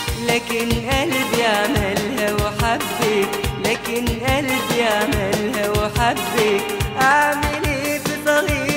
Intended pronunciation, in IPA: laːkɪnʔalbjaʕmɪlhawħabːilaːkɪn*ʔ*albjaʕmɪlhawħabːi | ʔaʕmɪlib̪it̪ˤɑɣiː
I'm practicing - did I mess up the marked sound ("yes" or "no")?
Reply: no